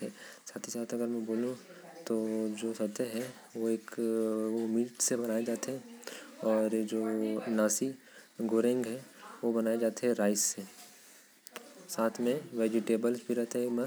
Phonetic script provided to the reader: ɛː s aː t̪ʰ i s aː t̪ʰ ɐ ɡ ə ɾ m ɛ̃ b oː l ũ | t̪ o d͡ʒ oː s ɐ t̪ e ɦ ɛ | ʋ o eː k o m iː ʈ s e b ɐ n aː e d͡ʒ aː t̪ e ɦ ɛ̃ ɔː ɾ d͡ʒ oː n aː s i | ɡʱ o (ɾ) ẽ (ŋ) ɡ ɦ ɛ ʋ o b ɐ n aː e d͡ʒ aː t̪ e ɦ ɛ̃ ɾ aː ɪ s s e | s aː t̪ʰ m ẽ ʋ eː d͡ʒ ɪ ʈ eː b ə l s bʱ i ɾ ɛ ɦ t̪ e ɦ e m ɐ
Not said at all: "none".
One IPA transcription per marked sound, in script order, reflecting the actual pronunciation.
ɾ, ŋ

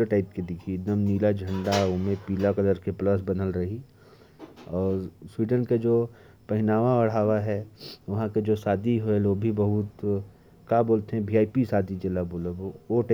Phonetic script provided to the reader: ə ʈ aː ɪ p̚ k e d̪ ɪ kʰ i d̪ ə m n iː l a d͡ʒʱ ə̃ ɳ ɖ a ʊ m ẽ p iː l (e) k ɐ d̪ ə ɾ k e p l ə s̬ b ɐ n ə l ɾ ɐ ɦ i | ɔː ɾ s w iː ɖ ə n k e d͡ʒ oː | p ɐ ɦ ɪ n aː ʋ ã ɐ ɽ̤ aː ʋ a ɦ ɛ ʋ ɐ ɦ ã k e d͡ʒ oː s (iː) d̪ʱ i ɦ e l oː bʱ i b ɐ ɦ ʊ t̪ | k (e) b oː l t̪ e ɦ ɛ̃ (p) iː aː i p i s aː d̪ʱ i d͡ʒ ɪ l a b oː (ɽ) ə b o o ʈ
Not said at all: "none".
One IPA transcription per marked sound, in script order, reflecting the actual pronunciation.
a, aː, a, b, l

